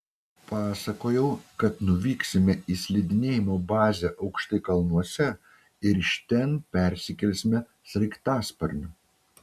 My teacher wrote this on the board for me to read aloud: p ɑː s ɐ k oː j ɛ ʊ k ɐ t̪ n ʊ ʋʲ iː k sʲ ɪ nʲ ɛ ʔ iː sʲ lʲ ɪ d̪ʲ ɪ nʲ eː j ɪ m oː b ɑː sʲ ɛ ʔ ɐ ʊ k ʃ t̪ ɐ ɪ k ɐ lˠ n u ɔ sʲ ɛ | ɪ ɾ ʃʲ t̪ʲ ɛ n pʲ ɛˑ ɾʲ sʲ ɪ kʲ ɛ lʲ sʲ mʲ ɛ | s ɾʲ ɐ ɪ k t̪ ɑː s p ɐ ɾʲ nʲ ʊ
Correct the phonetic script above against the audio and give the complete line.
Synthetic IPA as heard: p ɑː s ɐ k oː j ɛ ʊ k ɐ t̪ n ʊ ʋʲ iː k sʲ ɪ mʲ ɛ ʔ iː sʲ lʲ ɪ d̪ʲ ɪ nʲ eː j ɪ m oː b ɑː zʲ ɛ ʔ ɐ ʊ k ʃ t̪ ɐ ɪ k ɐ lˠ n u ɔ sʲ ɛ | ɪ ɾ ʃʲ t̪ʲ ɛ n pʲ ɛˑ ɾʲ sʲ ɪ kʲ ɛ lʲ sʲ mʲ ɛ | s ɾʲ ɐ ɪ k t̪ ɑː s p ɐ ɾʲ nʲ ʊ